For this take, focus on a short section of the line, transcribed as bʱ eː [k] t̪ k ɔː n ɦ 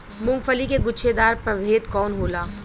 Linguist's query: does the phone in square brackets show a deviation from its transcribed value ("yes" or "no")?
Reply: yes